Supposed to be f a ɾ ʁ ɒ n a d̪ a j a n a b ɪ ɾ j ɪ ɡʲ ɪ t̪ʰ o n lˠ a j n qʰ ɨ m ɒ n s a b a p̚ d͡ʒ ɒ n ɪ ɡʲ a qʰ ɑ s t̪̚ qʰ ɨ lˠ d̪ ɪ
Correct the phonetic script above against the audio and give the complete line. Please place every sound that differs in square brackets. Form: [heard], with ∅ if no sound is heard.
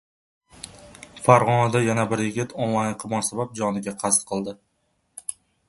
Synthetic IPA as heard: f a ɾ ʁ ɒ n a d̪ a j a n a b ɪ ɾ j ɪ ɡʲ ɪ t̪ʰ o n lˠ a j n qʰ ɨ m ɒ n s a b a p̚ d͡ʒ ɒ n ɪ ɡʲ a qʰ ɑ s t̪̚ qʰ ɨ lˠ d̪ ɪ